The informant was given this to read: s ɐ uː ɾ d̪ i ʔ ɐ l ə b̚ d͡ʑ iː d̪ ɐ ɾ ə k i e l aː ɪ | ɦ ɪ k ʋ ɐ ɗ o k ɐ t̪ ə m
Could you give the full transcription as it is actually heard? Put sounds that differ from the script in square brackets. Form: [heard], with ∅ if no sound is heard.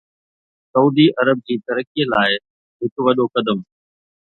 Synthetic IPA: s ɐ uː [∅] d̪ i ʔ ɐ [ɾ] ə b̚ d͡ʑ iː [t̪] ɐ ɾ ə k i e l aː ɪ | ɦ ɪ k ʋ ɐ ɗ o k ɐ [d̪] ə m